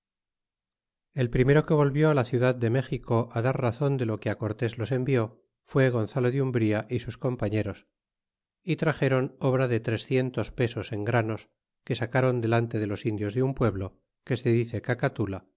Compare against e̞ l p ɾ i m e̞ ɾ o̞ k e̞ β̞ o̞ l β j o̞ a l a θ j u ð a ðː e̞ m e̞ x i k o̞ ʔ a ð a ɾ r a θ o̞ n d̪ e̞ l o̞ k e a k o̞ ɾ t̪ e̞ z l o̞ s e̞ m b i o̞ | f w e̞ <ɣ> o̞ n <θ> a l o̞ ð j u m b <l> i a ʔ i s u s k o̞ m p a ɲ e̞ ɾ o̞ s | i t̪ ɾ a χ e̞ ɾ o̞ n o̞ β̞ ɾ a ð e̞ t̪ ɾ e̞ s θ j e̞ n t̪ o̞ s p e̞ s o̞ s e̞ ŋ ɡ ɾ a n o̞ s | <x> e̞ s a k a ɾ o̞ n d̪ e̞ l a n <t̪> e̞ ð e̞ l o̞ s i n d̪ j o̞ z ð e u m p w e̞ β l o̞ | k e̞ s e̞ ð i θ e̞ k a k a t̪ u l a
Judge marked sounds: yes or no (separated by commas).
yes, yes, no, no, yes